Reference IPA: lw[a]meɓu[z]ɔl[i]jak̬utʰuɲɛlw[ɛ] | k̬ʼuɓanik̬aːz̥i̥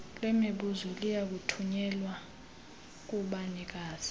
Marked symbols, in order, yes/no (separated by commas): no, yes, yes, no